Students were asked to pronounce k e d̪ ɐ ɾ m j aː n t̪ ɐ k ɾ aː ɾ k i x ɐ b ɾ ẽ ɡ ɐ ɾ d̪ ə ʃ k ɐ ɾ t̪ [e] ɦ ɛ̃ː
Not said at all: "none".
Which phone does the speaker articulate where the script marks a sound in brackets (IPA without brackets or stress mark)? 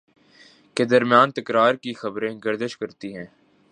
i